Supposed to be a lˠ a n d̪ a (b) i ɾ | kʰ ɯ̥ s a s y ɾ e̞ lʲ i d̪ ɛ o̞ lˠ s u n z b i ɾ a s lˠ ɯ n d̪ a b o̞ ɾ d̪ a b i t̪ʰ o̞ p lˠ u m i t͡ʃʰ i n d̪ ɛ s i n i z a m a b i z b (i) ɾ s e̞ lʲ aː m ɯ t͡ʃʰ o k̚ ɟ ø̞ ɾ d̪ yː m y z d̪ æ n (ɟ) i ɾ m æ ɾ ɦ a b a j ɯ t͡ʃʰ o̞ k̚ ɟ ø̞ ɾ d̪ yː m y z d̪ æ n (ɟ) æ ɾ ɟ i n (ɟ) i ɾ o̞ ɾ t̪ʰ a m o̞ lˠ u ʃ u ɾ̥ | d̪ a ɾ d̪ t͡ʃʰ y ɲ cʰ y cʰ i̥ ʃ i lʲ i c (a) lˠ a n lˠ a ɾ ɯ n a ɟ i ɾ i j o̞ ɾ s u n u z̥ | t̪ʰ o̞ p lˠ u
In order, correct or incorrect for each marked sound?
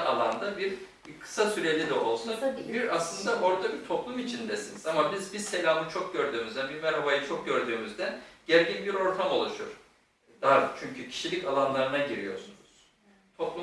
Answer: correct, correct, incorrect: b, correct, incorrect: b, correct

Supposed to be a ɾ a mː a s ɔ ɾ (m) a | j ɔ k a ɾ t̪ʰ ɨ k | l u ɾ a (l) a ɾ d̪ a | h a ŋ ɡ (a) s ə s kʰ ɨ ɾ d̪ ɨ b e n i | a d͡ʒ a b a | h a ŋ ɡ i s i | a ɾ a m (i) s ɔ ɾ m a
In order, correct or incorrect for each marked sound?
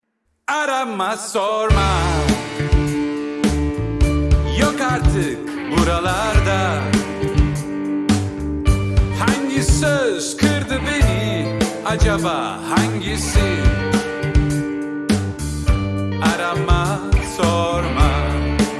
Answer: correct, correct, incorrect: i, incorrect: a

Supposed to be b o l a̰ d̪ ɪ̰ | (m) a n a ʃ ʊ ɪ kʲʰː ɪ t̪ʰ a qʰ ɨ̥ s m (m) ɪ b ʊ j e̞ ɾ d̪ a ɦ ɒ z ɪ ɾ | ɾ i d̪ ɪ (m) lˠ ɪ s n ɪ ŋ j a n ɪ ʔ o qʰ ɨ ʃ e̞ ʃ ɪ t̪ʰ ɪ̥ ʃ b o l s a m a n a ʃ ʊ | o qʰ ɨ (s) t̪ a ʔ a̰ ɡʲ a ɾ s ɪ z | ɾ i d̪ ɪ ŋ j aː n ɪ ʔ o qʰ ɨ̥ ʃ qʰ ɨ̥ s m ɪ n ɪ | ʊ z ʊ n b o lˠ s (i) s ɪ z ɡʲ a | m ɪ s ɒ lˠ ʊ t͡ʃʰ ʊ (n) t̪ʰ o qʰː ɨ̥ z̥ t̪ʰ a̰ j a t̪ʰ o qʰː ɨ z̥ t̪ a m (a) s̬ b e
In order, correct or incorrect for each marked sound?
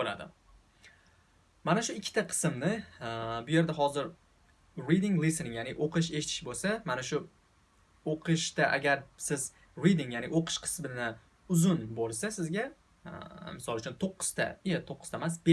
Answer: correct, incorrect: n, incorrect: ŋ, incorrect: ʃ, incorrect: a, correct, correct

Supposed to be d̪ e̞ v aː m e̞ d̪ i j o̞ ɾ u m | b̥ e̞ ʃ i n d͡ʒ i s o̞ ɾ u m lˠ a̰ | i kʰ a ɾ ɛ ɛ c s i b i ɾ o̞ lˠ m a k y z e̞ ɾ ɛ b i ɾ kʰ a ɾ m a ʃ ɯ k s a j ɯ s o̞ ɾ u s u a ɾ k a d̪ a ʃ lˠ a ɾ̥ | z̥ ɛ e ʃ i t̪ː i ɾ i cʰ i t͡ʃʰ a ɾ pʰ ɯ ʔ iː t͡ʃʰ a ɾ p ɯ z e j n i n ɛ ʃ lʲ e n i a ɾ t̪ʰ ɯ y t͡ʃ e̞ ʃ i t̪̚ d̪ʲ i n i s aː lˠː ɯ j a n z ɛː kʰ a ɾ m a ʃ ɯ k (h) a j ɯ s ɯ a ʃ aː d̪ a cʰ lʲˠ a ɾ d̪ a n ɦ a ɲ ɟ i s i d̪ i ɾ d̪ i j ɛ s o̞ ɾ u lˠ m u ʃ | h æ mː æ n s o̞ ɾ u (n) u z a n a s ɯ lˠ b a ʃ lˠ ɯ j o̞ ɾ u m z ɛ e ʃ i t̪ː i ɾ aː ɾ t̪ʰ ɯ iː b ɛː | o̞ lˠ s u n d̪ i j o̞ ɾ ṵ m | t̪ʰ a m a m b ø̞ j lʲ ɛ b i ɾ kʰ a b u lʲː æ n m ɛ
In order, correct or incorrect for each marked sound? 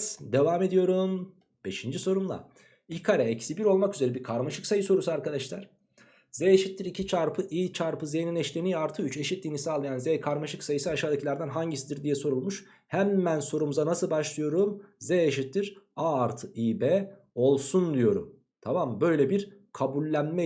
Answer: incorrect: s, incorrect: m

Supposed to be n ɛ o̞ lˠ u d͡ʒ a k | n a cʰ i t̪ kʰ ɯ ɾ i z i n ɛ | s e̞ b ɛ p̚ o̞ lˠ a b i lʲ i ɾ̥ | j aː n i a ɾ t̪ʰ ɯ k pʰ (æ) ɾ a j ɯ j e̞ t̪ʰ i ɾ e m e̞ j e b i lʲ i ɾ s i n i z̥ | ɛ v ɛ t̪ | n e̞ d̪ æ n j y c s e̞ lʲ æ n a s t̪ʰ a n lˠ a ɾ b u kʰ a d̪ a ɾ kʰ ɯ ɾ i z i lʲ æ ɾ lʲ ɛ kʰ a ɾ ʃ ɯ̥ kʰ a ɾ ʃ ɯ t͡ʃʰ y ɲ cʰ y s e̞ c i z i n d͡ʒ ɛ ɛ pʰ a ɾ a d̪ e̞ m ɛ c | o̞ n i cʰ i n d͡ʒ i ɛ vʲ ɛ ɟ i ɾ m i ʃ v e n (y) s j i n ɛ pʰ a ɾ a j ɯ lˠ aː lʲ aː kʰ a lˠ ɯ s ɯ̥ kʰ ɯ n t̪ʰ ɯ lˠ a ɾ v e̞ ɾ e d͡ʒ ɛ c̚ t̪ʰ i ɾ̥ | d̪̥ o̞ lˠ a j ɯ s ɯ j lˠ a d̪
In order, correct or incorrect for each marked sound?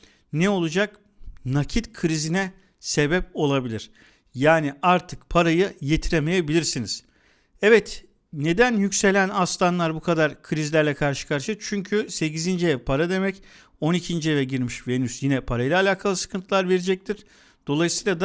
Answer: incorrect: a, correct

